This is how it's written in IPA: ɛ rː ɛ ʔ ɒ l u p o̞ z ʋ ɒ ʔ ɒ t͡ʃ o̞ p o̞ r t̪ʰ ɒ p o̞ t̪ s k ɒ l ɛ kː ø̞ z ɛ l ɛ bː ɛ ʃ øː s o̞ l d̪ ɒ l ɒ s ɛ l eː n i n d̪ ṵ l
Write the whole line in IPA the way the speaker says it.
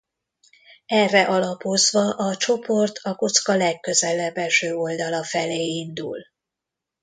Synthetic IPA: ɛ rː ɛ ʔ ɒ l ɒ p o̞ z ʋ ɒ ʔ ɒ t͡ʃ o̞ p o̞ r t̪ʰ ɒ k o̞ t̪ s k ɒ l ɛ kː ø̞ z ɛ l ɛ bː ɛ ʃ øː o̞ l d̪ ɒ l ɒ f ɛ l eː i n d̪ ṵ l